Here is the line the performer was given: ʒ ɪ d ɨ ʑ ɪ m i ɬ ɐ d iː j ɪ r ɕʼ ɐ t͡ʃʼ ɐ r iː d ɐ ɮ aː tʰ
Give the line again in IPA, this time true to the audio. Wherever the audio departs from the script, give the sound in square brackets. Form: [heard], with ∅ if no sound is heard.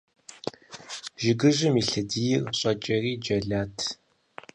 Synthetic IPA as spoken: ʒ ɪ [ɡ] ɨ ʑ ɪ m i ɬ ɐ d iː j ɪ r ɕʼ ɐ t͡ʃʼ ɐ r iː [d͡ʒ] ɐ ɮ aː tʰ